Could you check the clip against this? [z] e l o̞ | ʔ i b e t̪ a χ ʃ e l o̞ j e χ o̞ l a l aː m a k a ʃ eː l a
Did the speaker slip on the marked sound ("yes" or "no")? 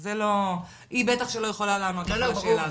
no